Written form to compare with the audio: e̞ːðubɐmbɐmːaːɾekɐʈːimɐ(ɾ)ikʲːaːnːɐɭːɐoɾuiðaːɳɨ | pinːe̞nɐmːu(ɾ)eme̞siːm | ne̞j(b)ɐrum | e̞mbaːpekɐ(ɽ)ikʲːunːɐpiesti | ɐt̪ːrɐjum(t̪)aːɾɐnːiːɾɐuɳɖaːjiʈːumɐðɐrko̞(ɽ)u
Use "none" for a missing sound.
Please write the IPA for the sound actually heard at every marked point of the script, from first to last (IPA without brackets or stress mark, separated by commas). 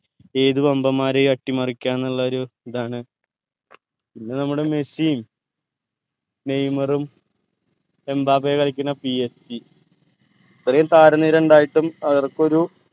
r, ɽ, m, ɭ, t̪, ɾ